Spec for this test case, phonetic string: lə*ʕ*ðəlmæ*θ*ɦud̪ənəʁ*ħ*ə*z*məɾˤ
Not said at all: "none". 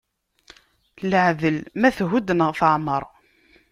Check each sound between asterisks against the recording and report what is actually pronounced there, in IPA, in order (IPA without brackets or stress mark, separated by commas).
ʕ, θ, θ, ʕ